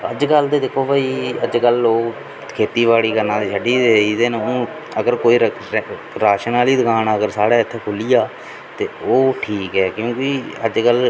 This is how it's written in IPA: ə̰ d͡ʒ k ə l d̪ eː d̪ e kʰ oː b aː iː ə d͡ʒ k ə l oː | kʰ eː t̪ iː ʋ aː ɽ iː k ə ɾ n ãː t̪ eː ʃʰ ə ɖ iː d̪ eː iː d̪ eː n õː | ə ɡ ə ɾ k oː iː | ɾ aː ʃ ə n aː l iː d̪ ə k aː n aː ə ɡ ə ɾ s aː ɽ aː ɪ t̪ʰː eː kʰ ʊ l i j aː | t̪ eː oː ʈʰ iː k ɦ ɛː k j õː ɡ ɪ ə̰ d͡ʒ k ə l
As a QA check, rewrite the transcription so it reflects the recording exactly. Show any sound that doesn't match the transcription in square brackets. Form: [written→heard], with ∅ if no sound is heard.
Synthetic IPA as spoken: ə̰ d͡ʒ k ə l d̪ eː d̪ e kʰ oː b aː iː ə d͡ʒ k ə l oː | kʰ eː t̪ iː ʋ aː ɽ iː k ə ɾ n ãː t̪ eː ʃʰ ə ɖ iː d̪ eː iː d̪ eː n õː | ə ɡ ə ɾ k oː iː | ɾ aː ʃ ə n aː l iː d̪ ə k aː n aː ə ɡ ə ɾ s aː ɽ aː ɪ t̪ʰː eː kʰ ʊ l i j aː | t̪ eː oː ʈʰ iː k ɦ ɛː k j õː [ɡ→k] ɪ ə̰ d͡ʒ k ə l